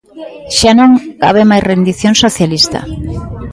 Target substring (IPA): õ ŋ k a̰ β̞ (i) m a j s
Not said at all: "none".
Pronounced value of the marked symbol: e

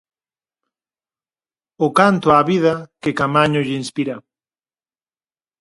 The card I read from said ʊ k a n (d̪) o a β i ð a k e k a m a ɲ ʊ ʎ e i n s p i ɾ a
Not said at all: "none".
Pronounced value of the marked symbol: t̪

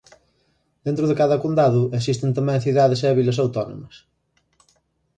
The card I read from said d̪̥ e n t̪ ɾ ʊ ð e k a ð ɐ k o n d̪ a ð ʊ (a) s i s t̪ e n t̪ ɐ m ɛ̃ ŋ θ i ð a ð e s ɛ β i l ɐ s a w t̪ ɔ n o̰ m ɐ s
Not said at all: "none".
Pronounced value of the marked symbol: e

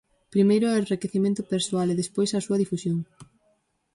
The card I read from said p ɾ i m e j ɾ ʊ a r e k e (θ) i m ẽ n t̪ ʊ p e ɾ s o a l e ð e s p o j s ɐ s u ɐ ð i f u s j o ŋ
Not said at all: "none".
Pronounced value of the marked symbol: θ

